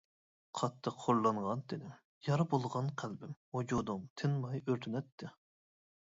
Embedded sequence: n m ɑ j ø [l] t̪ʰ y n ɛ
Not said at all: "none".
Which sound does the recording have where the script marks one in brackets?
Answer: ɾ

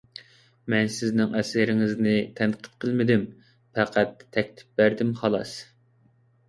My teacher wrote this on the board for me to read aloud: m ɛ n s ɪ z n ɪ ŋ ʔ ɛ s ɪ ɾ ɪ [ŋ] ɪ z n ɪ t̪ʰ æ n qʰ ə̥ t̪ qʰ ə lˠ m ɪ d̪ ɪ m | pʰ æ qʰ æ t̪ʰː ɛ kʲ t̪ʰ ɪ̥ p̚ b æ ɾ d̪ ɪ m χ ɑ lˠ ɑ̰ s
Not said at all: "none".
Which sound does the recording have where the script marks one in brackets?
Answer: ŋ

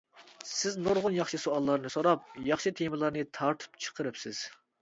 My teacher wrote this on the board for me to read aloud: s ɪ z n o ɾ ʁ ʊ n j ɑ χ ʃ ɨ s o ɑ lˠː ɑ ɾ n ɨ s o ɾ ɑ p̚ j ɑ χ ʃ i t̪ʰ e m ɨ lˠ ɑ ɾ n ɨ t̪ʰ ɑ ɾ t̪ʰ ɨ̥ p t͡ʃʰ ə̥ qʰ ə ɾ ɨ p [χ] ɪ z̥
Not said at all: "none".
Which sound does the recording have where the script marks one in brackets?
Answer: s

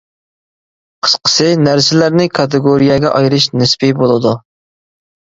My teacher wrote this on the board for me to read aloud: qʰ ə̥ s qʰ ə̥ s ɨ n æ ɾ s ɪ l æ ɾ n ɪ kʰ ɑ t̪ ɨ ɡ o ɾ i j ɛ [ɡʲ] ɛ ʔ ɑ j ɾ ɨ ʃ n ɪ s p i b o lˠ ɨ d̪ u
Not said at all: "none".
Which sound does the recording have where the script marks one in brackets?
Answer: ɡʲ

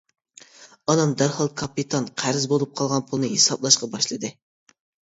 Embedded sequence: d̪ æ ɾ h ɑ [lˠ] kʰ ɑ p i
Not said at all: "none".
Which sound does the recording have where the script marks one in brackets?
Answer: lˠ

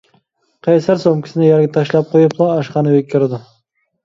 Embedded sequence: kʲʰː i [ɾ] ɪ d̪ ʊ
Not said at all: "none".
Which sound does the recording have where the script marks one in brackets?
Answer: ɾ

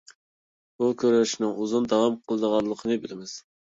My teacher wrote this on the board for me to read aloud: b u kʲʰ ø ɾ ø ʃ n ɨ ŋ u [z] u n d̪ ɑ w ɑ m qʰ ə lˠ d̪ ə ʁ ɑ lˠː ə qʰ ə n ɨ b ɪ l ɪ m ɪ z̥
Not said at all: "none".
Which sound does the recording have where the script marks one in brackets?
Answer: z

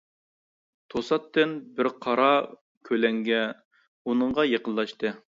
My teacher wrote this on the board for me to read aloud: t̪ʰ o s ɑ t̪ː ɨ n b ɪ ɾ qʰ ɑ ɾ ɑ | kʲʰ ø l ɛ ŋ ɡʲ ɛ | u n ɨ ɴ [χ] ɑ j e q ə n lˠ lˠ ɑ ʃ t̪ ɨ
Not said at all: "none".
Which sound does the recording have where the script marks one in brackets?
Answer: ʁ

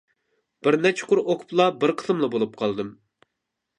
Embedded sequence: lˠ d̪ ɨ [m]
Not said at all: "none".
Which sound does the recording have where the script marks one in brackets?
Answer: m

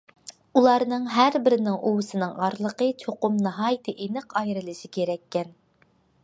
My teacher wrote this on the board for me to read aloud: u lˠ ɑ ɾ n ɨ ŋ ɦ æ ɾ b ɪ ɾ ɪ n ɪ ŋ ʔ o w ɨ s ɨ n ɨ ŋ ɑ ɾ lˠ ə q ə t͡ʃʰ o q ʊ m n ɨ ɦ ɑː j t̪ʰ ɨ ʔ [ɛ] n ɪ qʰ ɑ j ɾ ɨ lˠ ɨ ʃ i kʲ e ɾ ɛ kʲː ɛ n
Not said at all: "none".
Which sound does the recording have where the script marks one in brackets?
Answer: e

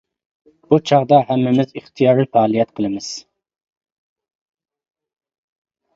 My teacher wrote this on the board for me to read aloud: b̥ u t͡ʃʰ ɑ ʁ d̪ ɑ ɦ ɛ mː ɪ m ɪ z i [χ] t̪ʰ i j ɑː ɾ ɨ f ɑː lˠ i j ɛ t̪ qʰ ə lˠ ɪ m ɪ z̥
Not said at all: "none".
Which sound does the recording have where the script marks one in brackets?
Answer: χ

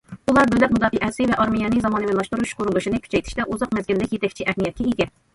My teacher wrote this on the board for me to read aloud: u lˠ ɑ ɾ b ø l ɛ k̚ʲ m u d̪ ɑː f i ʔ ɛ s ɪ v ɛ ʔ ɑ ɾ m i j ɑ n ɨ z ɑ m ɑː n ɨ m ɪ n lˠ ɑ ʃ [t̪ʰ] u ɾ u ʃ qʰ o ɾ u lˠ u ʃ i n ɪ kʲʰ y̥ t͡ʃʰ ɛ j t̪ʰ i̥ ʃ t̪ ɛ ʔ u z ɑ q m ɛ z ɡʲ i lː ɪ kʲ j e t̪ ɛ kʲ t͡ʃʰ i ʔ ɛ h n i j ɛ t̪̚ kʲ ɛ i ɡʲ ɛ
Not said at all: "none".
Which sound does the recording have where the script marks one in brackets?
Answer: t̪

